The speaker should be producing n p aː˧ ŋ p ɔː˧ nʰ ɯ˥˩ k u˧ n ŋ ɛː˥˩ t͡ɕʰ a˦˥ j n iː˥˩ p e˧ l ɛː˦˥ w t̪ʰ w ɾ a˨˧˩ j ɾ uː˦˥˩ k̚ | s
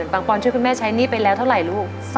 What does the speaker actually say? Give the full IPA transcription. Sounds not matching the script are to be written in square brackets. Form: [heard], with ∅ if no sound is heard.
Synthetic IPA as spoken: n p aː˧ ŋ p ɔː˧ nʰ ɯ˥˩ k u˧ n [m] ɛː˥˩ t͡ɕʰ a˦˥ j n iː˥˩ p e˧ l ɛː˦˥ w t̪ʰ w ɾ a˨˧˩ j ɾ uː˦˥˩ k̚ | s